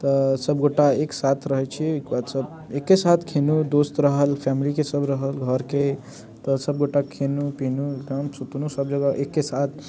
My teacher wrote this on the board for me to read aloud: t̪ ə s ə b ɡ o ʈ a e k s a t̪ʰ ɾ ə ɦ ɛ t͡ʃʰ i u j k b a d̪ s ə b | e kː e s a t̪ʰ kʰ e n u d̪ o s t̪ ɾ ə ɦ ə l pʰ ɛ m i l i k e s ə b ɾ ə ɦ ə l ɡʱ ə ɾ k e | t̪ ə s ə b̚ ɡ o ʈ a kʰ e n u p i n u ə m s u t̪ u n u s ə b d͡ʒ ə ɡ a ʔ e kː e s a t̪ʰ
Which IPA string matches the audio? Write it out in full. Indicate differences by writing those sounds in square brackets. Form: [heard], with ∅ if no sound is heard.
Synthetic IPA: t̪ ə s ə b ɡ o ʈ a e k s a t̪ʰ ɾ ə ɦ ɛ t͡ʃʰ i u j k b a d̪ s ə b | e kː e s a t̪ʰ kʰ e n u d̪ o s t̪ ɾ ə ɦ ə l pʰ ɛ m i l i k e s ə b ɾ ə ɦ ə l ɡʱ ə ɾ k e | t̪ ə s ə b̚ ɡ o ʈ a kʰ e n u p i n u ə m s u t̪ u n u s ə b d͡ʒ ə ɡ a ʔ e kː e s a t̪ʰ